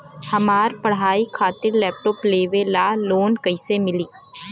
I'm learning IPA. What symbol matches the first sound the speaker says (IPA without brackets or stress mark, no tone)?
h